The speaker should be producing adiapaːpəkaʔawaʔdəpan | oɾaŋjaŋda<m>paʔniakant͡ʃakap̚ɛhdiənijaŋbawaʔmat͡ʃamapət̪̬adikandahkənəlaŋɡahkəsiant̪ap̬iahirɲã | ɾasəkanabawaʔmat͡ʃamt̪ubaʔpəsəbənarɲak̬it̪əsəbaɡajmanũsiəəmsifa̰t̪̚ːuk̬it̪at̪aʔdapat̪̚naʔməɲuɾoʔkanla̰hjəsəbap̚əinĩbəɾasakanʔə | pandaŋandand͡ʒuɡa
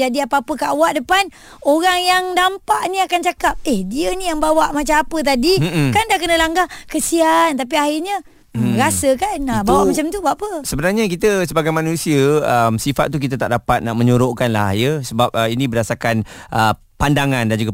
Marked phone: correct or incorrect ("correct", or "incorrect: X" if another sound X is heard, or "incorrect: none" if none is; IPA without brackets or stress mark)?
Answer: correct